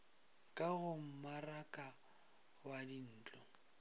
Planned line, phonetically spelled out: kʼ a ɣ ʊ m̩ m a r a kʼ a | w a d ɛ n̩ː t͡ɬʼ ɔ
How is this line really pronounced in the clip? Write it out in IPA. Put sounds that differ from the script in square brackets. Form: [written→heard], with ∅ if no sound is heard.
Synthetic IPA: kʼ a ɣ ʊ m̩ m a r a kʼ a | w a d [ɛ→i] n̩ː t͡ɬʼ ɔ